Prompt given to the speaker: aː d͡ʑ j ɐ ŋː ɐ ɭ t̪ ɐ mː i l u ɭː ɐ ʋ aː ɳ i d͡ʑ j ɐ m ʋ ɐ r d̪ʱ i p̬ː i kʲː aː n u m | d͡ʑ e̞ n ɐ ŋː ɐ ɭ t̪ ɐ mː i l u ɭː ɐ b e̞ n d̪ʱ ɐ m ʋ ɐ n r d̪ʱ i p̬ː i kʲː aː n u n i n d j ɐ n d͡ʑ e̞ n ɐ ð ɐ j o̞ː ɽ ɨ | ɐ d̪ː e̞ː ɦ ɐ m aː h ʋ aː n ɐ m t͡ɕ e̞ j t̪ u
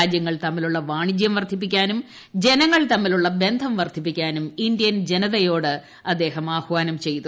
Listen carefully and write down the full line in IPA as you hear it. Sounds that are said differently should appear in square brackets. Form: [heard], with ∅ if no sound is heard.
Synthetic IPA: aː d͡ʑ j ɐ ŋː ɐ ɭ t̪ ɐ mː i l u ɭː ɐ ʋ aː ɳ i d͡ʑ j ɐ m ʋ ɐ r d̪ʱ i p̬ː i kʲː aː n u m | d͡ʑ e̞ n ɐ ŋː ɐ ɭ t̪ ɐ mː i l u ɭː ɐ b e̞ n d̪ʱ ɐ m ʋ ɐ [∅] r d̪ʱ i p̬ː i kʲː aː n u [m] i n d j ɐ n d͡ʑ e̞ n ɐ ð ɐ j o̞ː ɽ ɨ | ɐ d̪ː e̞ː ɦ ɐ m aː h ʋ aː n ɐ m t͡ɕ e̞ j t̪ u